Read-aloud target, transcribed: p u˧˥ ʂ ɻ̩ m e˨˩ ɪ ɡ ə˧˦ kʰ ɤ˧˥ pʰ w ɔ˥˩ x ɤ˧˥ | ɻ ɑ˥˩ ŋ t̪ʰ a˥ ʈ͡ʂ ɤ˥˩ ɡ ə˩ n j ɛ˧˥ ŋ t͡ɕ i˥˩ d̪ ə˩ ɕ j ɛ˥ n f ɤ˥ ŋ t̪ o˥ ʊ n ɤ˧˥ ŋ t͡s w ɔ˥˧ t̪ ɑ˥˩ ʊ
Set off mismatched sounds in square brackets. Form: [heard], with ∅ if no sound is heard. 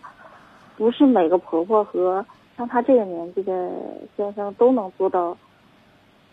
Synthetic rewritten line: p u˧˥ ʂ ɻ̩ m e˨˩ ɪ ɡ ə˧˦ [pʰ] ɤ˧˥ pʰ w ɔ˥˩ x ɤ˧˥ | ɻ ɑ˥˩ ŋ t̪ʰ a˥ ʈ͡ʂ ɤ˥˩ ɡ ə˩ n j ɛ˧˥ [n] t͡ɕ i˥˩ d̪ ə˩ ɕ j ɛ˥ n [ʂ] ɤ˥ ŋ t̪ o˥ ʊ n ɤ˧˥ ŋ t͡s w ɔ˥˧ t̪ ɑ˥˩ ʊ